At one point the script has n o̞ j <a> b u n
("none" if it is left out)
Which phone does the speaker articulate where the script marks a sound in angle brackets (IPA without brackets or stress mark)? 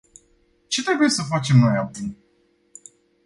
a